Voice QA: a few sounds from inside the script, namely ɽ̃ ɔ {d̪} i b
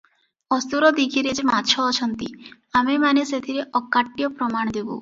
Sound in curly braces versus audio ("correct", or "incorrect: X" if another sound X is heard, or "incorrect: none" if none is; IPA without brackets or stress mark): correct